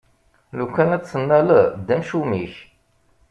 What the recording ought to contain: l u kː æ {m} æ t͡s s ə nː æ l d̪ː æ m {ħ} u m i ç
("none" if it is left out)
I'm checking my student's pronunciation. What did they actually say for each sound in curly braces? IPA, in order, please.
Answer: n, ʃ

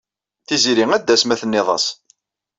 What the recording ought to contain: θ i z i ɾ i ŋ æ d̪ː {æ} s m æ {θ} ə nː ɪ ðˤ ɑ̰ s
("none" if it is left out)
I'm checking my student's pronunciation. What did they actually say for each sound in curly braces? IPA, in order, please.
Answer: æ, θ

